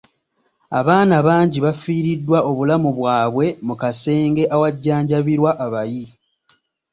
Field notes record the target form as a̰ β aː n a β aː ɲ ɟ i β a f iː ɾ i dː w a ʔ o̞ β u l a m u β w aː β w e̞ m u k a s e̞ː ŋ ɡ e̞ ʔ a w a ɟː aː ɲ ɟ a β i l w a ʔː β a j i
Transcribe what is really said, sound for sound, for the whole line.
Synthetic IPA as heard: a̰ β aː n a β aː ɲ ɟ i β a f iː ɾ i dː w a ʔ o̞ β u l a m u β w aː β w e̞ m u k a s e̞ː ŋ ɡ e̞ ʔ a w a ɟː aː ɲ ɟ a β i ɾ w a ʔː β a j i